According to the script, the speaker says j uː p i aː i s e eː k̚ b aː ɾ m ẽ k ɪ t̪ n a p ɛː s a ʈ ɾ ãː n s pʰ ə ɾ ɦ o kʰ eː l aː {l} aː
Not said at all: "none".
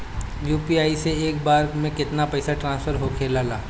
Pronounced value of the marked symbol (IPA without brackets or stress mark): l